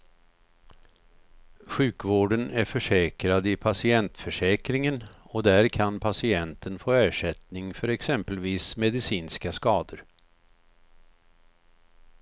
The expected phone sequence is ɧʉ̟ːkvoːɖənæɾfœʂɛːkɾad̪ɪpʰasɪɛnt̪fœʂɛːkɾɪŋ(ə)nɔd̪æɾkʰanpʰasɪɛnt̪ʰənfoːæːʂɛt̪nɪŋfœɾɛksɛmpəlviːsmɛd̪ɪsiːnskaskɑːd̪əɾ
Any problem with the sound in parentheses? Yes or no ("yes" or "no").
no